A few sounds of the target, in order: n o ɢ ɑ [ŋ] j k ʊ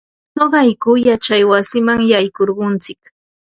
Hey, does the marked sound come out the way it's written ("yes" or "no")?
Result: no